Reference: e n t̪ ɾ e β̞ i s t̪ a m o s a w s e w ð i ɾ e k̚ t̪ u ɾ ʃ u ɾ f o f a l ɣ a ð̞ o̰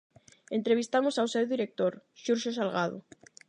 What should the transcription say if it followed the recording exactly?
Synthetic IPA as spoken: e n t̪ ɾ e β̞ i s t̪ a m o s a w s e w ð i ɾ e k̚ t̪ o ɾ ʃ u ɾ ʃ o s a l ɣ a ð̞ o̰